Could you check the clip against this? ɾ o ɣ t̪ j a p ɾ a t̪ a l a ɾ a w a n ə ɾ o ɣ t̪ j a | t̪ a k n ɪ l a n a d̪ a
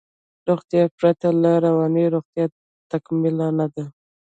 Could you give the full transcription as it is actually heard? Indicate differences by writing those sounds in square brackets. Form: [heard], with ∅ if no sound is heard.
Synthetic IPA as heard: ɾ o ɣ t̪ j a p ɾ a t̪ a l a ɾ a w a n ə ɾ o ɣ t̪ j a | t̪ a k [m] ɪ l a n a d̪ a